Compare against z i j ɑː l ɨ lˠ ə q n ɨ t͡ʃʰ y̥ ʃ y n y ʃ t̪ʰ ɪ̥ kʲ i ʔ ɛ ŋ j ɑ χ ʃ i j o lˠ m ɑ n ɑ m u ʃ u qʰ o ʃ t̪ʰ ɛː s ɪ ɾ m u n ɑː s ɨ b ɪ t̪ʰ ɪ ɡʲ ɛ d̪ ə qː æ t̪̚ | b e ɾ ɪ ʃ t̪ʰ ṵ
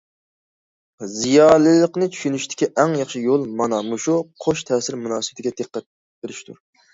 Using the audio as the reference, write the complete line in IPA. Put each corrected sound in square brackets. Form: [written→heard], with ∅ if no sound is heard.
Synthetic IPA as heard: z i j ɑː l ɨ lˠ ə q n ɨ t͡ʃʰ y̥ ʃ y n y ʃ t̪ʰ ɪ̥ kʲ i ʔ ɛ ŋ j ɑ χ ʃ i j o lˠ m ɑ n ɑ m u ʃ u qʰ o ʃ t̪ʰ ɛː s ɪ ɾ m u n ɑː s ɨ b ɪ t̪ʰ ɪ ɡʲ ɛ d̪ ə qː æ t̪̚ | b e ɾ ɪ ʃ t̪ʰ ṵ